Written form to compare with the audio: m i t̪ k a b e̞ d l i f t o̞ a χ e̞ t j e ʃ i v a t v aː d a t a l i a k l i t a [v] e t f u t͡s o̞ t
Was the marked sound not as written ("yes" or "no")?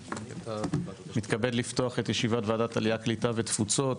no